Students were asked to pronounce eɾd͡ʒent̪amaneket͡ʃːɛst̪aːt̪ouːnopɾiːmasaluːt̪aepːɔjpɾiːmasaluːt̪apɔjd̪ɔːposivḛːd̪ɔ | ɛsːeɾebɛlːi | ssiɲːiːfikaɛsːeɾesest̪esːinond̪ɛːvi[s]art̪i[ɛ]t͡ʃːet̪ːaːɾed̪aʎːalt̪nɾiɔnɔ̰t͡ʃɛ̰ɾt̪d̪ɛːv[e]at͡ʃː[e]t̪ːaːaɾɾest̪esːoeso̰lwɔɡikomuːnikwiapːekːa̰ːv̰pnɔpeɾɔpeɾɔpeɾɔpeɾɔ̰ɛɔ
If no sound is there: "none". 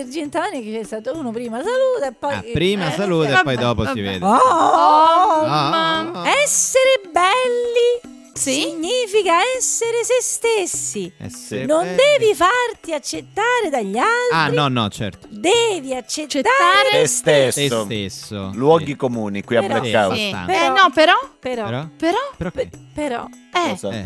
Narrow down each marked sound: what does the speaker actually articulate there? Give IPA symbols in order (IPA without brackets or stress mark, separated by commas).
f, a, i, e